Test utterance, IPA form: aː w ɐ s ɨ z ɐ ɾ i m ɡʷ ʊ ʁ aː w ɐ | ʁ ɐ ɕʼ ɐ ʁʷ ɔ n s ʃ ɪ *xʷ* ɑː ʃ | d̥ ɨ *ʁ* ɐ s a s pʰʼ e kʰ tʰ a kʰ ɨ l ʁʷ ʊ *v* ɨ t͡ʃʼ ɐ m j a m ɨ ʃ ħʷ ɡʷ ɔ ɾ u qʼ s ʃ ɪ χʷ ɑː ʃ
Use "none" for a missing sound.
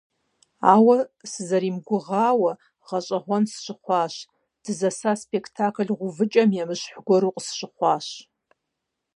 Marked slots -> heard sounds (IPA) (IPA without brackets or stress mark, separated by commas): χʷ, z, v